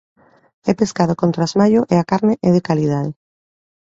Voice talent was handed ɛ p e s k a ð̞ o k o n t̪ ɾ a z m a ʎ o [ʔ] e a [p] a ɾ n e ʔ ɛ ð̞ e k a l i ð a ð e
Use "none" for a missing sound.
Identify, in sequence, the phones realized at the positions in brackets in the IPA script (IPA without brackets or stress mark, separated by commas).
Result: ʔ, k